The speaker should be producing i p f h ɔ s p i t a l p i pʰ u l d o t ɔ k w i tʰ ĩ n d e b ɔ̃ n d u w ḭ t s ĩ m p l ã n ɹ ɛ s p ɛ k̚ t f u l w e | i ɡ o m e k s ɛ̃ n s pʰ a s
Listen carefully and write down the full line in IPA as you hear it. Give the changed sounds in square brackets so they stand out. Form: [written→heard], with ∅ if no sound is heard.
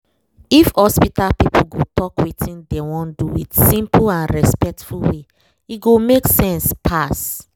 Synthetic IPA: i [p→∅] f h ɔ s p i t a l p i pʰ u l [d→ɡ] o t ɔ k w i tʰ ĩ n d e [b→w] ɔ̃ n d u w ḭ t s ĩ m p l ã n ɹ ɛ s p ɛ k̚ t f u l w e | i ɡ o m e k s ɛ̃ n s pʰ a s